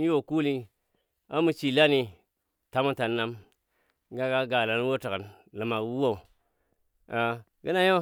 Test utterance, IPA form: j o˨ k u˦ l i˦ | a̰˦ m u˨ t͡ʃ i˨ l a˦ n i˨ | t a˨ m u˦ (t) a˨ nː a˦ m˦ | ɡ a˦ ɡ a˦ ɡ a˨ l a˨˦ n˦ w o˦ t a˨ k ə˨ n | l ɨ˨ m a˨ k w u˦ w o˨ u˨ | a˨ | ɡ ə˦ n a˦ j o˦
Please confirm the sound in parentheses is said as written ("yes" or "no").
yes